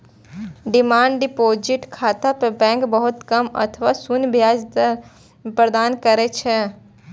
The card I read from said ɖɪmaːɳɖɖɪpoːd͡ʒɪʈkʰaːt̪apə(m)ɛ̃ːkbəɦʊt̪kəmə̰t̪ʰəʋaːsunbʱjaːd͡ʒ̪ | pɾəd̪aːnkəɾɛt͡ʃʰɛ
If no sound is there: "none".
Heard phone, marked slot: b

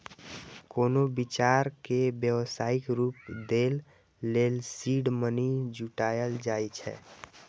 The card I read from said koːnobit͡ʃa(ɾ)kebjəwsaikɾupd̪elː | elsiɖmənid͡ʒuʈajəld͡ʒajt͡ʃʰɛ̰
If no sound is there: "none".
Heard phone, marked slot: ɾ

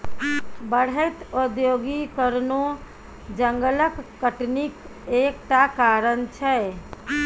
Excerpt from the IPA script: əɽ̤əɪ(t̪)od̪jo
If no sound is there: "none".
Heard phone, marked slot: t̪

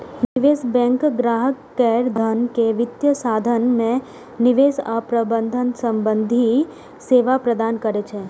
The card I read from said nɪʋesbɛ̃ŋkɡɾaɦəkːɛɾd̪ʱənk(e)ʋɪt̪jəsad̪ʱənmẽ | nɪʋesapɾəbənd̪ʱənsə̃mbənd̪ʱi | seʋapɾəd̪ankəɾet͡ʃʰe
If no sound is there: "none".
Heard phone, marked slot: e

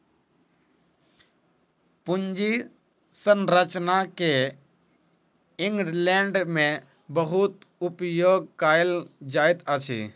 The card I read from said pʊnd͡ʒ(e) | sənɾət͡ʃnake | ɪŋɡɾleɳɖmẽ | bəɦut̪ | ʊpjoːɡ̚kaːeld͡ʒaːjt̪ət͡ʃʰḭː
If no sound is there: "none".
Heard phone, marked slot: i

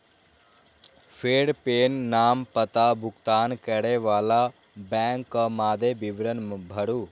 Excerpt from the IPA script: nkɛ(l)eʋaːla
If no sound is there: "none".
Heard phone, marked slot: ɽ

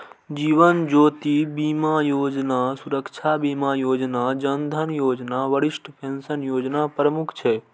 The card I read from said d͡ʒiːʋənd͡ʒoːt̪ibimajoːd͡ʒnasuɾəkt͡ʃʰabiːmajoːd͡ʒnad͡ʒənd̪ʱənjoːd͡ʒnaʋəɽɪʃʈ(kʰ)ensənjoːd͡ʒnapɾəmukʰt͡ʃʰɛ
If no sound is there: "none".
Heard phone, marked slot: pʰ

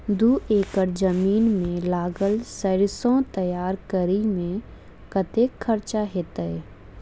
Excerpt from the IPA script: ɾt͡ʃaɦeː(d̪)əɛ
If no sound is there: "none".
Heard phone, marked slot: t̪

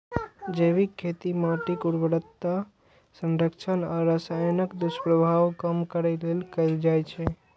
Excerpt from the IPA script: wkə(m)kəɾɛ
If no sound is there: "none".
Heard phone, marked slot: m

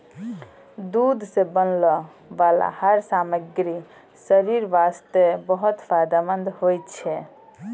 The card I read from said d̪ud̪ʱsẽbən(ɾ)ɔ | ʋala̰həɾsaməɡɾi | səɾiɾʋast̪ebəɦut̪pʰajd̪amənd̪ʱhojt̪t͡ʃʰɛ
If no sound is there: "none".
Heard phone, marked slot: l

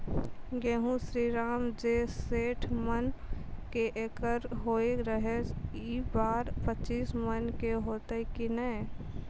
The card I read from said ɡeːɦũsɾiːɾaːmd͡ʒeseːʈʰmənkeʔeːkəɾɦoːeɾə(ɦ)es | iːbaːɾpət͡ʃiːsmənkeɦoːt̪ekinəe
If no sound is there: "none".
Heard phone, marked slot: ɦ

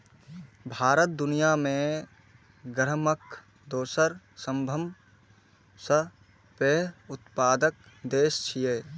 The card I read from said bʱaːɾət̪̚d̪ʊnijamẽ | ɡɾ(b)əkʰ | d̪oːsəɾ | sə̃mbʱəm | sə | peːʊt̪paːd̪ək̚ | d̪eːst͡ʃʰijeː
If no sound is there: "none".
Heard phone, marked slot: m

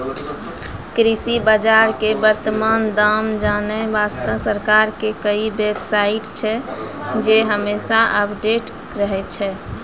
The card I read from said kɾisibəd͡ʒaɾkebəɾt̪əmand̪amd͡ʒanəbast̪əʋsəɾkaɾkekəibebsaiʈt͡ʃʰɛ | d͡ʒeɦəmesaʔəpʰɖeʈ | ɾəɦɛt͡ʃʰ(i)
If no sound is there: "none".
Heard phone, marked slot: ɛ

